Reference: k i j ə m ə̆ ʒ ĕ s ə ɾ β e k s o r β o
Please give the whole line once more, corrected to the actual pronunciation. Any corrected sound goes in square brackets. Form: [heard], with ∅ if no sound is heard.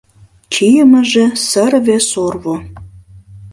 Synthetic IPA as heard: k i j ə m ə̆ ʒ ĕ s ə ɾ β e [∅] s o r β o